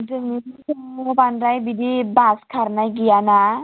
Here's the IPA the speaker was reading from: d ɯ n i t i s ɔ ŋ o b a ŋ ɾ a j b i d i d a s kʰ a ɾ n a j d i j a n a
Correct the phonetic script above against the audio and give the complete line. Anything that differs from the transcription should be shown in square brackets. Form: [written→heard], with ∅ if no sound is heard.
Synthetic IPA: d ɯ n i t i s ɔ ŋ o b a [ŋ→n] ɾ a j b i d i [d→b] a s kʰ a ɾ n a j [d→ɡ] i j a n a